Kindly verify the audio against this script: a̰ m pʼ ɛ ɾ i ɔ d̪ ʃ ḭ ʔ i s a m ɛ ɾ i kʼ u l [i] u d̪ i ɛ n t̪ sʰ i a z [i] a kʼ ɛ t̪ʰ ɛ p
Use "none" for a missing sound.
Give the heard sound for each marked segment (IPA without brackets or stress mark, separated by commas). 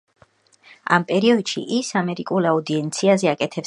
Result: a, ɛ